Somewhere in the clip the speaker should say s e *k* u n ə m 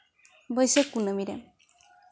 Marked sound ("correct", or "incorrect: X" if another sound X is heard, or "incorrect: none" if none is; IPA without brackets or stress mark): correct